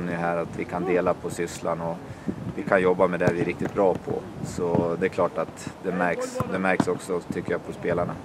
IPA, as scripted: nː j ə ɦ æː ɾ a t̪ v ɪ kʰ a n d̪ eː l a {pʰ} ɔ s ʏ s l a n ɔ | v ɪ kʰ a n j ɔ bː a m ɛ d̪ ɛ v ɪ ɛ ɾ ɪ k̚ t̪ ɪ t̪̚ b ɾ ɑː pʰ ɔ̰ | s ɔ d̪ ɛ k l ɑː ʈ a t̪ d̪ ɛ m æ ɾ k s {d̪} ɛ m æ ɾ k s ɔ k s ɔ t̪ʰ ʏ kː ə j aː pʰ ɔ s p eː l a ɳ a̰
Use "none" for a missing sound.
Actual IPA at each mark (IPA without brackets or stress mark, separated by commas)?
pʰ, d̪